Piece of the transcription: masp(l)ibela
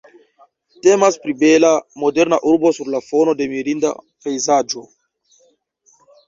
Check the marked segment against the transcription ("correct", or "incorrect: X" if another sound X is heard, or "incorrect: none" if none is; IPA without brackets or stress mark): incorrect: ɾ